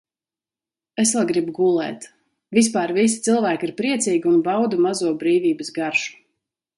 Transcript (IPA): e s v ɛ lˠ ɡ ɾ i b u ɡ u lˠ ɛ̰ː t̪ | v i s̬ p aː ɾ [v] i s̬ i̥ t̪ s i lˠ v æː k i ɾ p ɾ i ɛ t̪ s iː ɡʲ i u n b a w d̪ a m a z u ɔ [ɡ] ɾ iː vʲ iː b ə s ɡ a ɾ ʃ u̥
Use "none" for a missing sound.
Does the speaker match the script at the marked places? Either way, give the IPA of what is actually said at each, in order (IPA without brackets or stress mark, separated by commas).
v, b